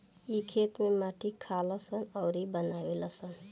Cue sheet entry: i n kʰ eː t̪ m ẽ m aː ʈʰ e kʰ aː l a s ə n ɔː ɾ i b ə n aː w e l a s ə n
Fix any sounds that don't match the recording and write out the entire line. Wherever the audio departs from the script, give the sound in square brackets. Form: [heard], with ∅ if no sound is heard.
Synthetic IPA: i [∅] kʰ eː t̪ m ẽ m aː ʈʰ [i] kʰ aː l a s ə n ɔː ɾ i b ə n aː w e l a s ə n